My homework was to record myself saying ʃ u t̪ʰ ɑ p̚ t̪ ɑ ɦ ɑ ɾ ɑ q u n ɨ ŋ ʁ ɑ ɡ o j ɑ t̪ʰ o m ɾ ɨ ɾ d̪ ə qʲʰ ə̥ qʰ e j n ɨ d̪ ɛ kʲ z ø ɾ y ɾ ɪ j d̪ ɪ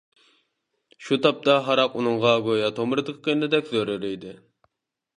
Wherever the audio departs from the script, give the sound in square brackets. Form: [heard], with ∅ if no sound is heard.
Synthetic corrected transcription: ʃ u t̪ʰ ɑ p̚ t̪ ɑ ɦ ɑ ɾ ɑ q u n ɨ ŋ ʁ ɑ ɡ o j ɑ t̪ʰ o m ɾ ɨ [∅] d̪ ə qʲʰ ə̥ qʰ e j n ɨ d̪ ɛ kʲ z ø ɾ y ɾ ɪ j d̪ ɪ